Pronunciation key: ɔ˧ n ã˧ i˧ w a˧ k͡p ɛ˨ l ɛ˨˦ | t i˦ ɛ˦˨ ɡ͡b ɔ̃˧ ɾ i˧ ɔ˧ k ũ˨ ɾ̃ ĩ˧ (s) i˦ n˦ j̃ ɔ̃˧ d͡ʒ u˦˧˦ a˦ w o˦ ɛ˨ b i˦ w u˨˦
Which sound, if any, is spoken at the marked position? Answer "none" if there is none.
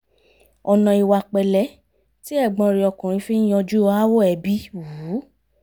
f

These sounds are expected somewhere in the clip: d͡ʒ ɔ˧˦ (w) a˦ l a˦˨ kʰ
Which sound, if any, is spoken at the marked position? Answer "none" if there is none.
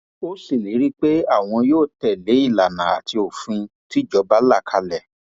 b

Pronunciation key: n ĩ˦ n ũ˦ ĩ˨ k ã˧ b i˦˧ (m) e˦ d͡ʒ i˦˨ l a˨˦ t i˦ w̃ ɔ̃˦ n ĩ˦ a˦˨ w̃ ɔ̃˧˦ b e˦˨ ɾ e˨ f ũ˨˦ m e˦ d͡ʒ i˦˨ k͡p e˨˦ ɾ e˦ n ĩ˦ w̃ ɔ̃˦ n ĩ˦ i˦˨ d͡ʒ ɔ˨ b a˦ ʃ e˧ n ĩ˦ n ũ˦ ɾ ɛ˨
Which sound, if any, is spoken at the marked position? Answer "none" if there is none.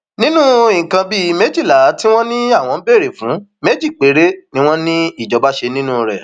m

